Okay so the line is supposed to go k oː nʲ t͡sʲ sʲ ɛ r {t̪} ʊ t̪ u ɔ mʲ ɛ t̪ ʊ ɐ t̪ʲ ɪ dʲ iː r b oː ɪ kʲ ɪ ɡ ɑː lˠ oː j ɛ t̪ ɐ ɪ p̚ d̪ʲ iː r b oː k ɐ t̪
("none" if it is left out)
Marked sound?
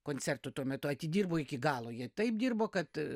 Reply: t̪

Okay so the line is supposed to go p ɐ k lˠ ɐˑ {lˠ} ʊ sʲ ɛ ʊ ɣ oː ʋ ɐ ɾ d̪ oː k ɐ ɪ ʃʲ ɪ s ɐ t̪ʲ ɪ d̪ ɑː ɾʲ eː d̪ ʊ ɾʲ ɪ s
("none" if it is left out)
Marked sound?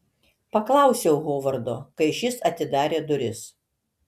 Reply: none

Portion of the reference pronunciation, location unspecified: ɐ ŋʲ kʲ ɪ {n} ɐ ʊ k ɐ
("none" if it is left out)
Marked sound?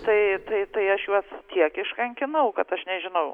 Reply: n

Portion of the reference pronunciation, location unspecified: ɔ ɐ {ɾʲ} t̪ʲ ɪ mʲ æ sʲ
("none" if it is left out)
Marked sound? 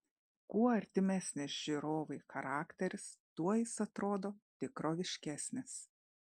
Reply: ɾʲ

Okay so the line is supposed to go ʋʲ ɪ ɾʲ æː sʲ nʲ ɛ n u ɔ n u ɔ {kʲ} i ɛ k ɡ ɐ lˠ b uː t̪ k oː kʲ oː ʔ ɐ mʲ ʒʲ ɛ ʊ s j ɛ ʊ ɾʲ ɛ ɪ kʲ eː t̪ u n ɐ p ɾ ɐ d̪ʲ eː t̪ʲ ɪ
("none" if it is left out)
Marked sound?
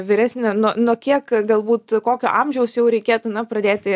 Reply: kʲ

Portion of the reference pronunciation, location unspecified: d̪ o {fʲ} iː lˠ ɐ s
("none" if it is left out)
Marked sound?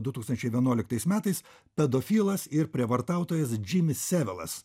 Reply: fʲ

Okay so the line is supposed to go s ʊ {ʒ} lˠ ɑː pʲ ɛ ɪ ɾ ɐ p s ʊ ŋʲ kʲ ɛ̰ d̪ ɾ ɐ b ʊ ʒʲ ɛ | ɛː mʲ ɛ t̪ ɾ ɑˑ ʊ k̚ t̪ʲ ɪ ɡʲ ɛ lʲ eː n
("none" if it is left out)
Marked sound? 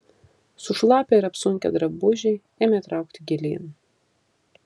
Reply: ʃ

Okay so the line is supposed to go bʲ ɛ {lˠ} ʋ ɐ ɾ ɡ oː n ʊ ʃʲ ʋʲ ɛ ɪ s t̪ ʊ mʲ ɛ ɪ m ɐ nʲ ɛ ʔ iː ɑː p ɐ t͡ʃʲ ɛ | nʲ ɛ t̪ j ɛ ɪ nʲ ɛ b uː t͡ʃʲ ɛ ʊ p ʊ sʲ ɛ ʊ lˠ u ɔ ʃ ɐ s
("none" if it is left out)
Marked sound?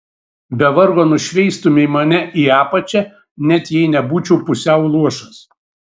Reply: none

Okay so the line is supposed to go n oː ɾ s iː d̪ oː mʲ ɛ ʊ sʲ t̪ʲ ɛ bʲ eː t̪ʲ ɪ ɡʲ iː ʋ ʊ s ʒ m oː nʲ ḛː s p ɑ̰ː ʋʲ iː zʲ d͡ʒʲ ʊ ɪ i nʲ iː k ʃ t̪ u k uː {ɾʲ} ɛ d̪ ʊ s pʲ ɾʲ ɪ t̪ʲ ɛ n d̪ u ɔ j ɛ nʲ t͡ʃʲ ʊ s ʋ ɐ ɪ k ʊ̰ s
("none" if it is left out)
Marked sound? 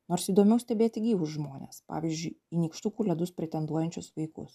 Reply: lʲ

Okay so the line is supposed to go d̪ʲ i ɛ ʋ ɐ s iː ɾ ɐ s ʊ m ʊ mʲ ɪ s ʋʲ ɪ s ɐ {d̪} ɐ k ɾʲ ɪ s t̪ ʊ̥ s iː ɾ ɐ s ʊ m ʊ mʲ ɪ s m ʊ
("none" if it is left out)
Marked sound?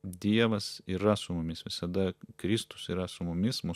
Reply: d̪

